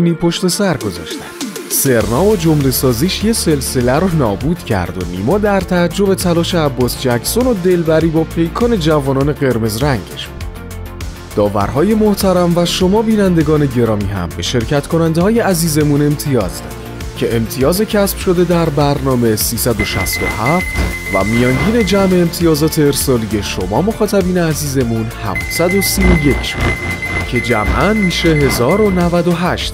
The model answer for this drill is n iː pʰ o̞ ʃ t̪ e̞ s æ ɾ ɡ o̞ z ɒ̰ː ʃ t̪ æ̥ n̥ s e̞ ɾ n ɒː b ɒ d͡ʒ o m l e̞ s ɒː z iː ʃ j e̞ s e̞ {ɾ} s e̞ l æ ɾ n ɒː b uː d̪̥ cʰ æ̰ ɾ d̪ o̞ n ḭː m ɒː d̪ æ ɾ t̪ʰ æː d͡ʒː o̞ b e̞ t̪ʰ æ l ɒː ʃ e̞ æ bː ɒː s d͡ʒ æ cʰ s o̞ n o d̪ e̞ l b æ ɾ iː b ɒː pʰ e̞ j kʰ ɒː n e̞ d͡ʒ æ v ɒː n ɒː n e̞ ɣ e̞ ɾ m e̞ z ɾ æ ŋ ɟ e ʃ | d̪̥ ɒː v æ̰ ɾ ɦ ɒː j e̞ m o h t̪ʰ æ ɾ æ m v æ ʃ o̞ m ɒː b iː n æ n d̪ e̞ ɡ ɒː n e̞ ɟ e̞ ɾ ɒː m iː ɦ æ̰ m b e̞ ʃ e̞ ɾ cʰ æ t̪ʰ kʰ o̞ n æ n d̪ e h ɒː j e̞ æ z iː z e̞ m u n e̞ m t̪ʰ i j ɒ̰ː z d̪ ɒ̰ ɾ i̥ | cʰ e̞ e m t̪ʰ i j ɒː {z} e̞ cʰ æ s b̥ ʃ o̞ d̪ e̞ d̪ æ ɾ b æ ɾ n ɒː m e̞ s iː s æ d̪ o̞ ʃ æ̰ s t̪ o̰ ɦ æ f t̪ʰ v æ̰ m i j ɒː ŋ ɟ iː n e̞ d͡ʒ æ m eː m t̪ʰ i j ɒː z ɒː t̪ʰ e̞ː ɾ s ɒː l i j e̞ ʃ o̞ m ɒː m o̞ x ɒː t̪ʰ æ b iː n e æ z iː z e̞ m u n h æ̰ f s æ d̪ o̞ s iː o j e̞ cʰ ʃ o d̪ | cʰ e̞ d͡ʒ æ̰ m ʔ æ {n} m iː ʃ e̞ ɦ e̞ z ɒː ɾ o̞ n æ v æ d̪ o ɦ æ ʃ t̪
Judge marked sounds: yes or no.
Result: no, yes, yes

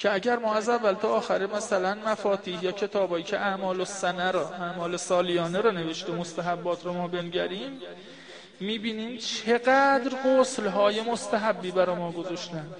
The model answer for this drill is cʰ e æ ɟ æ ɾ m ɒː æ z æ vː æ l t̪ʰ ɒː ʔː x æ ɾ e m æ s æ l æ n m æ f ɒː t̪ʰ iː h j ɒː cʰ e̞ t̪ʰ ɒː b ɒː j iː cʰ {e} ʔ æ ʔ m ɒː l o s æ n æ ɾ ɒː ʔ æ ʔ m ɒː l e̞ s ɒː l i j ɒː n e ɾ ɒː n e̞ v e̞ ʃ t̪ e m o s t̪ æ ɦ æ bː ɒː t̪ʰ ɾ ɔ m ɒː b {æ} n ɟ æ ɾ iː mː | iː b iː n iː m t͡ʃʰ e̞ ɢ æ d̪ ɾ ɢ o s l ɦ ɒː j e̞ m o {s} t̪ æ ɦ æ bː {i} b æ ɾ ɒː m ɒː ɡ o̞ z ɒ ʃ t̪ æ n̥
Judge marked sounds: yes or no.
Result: yes, no, yes, no

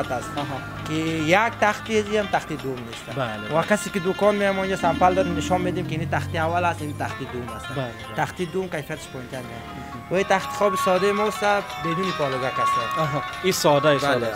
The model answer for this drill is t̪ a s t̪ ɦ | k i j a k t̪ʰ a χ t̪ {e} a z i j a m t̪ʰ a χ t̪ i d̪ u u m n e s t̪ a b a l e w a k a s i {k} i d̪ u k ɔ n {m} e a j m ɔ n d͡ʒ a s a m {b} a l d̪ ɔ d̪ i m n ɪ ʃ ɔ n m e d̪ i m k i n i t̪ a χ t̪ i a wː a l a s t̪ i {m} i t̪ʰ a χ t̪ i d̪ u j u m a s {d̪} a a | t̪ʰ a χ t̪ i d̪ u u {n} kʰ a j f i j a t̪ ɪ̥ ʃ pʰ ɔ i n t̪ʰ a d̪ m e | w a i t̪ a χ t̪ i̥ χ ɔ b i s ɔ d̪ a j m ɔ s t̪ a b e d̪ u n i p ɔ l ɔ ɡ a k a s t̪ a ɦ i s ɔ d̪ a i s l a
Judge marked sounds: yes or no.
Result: no, yes, yes, no, no, no, no

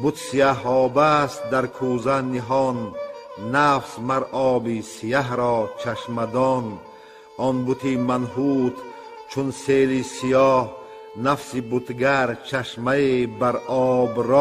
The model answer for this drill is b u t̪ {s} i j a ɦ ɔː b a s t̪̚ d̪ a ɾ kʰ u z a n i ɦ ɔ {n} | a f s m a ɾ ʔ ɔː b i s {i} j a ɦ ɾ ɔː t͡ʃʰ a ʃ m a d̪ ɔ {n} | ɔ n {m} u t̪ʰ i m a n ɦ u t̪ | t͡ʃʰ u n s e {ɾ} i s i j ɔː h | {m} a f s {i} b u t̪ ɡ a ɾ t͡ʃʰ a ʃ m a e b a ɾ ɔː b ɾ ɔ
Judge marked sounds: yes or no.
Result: yes, no, yes, yes, no, no, no, yes

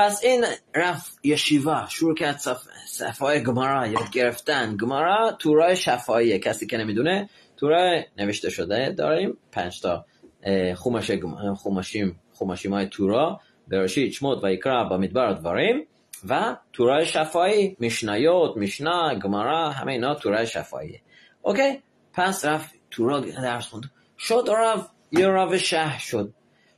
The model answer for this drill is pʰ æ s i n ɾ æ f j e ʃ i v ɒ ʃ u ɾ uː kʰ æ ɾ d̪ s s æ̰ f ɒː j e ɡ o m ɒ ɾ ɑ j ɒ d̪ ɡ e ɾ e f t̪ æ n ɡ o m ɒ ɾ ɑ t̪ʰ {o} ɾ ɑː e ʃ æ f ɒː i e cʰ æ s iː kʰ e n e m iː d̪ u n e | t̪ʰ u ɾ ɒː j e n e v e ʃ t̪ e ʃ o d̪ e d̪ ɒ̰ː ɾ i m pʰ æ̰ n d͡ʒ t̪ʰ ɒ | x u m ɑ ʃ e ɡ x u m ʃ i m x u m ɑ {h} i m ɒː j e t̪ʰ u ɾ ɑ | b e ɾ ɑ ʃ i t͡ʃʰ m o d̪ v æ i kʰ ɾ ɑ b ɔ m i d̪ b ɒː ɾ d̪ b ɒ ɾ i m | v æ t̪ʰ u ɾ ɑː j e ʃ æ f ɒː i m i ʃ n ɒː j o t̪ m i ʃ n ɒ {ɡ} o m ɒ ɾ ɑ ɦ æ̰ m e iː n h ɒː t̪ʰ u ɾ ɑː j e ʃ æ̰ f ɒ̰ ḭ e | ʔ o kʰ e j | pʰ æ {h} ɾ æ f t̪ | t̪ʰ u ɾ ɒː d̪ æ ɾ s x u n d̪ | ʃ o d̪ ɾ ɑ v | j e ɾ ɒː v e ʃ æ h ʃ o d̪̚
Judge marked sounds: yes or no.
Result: no, no, yes, no

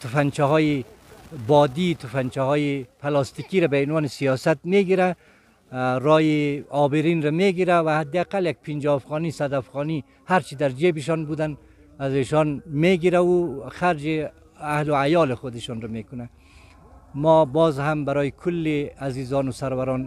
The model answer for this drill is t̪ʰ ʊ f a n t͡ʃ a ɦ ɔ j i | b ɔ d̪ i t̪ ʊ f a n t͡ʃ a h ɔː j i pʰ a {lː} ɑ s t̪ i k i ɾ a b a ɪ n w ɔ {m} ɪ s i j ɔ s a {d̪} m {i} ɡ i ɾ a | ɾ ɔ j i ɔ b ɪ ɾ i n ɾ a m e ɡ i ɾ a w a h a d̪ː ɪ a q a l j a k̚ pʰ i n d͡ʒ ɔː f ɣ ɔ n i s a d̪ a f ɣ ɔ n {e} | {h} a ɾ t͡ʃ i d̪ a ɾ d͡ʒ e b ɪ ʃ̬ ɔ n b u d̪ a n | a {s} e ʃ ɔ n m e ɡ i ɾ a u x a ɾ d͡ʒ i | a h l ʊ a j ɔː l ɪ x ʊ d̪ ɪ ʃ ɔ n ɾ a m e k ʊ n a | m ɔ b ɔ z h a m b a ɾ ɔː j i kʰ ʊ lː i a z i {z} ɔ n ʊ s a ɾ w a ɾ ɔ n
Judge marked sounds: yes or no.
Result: no, no, no, no, no, yes, no, yes

